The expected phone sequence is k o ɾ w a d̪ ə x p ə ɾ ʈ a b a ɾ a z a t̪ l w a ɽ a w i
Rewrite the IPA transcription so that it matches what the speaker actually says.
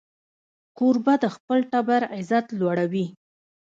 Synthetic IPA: k o ɾ b a d̪ ə x p ə l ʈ a b a ɾ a z a t̪ l w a ɽ a w i